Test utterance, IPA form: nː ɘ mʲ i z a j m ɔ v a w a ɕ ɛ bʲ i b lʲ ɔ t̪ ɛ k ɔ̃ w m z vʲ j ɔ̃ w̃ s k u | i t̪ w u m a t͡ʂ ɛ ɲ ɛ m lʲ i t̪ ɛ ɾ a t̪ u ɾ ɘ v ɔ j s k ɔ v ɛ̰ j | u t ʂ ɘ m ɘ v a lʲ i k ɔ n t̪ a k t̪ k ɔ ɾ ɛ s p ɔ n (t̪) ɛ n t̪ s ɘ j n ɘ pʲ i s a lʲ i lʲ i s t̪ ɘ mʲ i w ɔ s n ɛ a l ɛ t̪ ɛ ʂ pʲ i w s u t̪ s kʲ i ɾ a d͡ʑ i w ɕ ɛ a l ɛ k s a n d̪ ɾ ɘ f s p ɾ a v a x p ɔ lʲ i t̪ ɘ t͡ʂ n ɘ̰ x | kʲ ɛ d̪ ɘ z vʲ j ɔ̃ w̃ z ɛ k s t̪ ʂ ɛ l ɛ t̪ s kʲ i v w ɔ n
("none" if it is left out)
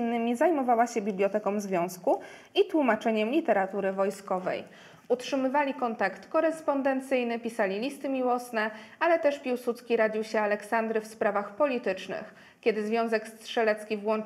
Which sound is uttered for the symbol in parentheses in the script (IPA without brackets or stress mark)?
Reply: d̪